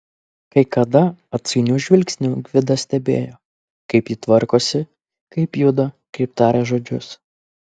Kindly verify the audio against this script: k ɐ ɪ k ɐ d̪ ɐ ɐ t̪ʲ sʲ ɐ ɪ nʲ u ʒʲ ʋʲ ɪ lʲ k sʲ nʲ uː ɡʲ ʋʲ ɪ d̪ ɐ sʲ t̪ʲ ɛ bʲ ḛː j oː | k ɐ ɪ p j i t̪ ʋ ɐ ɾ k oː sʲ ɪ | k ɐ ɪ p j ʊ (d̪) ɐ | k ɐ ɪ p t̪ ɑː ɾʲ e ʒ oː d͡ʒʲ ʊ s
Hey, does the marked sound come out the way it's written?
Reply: yes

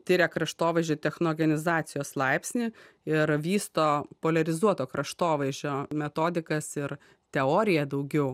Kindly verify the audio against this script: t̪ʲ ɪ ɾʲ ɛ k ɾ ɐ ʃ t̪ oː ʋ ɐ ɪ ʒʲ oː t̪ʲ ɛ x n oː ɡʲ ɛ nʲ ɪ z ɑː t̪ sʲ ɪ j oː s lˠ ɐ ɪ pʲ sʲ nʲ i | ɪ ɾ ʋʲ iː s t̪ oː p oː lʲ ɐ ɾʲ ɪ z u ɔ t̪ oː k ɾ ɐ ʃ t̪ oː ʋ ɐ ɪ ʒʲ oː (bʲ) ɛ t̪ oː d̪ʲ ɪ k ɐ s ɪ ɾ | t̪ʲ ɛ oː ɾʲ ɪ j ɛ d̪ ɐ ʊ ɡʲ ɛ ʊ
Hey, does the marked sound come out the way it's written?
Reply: no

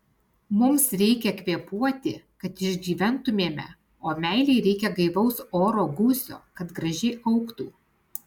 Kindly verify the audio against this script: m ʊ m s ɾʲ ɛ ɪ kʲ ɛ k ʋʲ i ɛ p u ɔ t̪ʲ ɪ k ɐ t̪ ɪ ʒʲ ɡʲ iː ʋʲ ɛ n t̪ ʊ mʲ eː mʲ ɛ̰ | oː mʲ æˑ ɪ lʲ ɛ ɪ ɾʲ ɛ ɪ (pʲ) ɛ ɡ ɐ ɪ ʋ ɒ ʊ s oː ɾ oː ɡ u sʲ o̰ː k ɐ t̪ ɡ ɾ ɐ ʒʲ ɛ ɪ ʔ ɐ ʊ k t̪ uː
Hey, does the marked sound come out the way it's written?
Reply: no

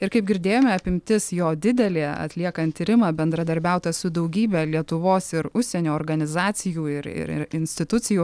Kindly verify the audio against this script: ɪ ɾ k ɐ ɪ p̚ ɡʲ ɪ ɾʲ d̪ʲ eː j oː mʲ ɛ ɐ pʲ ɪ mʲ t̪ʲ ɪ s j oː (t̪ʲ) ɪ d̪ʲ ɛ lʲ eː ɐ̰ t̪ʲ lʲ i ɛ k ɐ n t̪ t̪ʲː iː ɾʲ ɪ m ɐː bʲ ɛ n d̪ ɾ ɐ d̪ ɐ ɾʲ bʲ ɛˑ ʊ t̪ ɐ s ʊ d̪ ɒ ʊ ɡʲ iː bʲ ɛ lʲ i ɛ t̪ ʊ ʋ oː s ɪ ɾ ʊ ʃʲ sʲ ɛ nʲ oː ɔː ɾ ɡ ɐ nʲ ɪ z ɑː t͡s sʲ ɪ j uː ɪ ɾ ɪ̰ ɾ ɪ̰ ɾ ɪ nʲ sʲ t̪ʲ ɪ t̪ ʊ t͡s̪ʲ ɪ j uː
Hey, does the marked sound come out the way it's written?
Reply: no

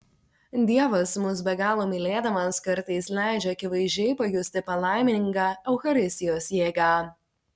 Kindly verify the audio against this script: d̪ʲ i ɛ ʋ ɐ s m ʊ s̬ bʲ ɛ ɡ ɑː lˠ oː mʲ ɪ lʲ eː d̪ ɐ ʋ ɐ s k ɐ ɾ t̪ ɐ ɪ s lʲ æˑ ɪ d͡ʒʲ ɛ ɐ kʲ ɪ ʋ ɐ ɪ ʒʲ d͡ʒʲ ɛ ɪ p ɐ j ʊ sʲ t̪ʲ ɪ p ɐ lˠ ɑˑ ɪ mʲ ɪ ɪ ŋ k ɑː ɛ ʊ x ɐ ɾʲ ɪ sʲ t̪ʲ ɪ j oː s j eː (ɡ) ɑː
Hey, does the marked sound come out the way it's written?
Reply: yes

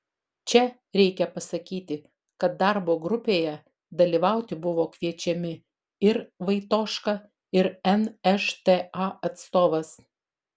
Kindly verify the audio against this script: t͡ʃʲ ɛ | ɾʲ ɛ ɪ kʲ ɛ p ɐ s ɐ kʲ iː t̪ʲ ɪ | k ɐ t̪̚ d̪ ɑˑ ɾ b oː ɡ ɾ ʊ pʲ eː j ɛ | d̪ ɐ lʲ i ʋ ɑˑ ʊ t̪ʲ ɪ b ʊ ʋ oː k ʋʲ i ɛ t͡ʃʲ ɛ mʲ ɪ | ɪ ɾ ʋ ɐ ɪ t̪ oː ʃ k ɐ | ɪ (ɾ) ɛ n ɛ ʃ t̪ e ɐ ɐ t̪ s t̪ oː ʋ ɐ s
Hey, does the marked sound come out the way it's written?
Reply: yes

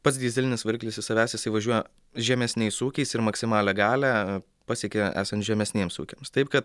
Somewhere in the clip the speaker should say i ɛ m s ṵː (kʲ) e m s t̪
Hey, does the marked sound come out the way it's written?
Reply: yes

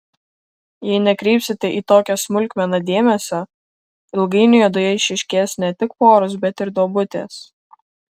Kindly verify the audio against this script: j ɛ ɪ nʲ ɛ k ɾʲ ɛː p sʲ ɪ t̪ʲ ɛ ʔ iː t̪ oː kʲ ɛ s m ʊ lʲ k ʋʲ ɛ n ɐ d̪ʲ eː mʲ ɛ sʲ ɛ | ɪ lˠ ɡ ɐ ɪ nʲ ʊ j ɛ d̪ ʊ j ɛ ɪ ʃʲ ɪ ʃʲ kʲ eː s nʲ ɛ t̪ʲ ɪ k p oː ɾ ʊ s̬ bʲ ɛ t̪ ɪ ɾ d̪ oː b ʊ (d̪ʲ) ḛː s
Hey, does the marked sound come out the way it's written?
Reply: no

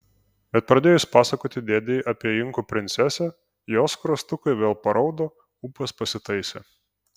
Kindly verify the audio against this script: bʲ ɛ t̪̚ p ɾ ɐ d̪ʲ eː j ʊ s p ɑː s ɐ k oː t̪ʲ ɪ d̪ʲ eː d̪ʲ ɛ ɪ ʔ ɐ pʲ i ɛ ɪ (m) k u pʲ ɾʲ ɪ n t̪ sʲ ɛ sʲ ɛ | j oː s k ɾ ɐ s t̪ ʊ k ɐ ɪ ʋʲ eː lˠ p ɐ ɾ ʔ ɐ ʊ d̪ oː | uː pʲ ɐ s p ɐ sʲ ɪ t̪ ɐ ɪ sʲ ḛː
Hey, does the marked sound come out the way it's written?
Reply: no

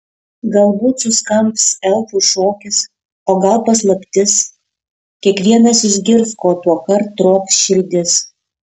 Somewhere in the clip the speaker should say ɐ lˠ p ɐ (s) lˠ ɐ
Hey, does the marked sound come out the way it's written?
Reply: yes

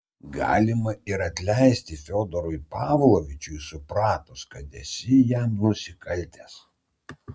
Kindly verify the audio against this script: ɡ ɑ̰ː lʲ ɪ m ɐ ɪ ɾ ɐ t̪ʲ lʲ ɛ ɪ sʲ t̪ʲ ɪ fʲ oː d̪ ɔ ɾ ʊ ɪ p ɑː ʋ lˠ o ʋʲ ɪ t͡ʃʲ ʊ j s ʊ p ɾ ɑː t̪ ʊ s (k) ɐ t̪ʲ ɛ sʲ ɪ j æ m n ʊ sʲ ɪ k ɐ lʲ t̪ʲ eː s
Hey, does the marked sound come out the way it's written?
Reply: yes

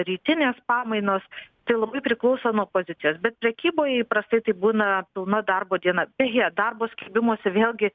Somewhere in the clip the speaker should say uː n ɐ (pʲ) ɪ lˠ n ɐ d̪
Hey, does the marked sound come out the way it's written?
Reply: yes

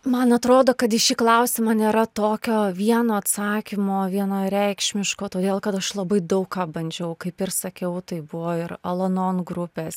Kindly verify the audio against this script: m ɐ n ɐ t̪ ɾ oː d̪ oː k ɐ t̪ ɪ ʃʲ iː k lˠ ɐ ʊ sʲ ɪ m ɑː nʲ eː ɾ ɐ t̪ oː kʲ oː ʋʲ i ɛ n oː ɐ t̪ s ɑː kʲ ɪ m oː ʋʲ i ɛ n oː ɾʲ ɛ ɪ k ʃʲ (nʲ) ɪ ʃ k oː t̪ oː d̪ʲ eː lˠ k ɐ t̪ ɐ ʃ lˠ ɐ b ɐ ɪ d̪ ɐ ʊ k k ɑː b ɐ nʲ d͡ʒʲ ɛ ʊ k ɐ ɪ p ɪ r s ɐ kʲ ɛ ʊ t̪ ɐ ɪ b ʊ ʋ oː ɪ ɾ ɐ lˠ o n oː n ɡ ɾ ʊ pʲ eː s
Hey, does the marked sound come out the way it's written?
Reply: no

